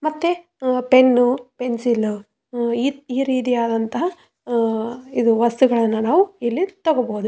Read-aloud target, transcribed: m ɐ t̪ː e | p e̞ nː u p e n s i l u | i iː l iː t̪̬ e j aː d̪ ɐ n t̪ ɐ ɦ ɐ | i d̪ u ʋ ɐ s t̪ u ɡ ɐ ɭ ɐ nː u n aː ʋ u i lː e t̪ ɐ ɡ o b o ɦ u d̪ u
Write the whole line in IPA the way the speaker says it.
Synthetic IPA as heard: m ɐ t̪ː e | p e̞ nː u p e n s i l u | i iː ɾ iː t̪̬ i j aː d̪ ɐ n t̪ ɐ ɦ ɐ | i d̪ u ʋ ɐ s t̪ u ɡ ɐ ɭ ɐ nː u n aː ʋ u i lː i t̪ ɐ ɡ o b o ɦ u d̪ u